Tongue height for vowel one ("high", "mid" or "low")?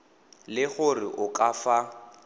high